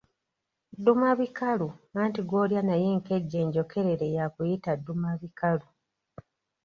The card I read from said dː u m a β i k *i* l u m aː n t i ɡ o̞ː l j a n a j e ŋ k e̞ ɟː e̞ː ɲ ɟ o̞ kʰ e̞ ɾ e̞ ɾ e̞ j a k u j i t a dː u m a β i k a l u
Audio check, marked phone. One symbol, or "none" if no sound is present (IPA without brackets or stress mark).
a